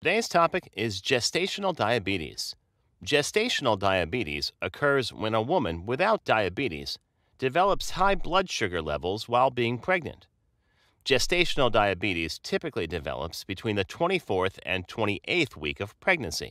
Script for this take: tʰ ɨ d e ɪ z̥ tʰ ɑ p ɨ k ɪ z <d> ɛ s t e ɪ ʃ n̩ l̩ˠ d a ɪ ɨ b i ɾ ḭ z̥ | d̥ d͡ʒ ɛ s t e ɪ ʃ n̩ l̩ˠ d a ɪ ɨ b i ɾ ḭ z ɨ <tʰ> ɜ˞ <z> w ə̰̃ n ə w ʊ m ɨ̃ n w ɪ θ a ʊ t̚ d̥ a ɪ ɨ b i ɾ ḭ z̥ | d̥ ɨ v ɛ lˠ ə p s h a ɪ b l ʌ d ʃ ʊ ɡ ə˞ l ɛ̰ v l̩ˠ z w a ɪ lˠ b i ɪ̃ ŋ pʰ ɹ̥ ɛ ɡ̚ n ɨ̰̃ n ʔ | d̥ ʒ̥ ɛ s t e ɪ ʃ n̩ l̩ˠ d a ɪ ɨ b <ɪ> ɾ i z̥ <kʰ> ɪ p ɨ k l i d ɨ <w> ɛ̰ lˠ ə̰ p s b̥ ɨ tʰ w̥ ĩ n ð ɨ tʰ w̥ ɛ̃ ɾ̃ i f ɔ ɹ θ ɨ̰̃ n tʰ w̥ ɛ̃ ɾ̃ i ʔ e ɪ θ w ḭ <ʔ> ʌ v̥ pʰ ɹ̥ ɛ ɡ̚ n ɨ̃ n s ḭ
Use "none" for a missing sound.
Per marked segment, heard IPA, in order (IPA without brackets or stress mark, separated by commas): d͡ʒ, kʰ, z, i, tʰ, v, k